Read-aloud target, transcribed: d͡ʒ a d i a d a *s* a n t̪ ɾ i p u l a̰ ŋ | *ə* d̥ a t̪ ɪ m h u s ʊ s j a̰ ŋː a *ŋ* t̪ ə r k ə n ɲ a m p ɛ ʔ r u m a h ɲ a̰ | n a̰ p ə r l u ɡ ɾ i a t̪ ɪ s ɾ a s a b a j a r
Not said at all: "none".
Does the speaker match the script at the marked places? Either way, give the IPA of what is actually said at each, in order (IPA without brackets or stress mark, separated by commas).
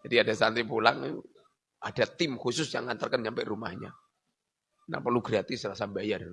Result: s, a, n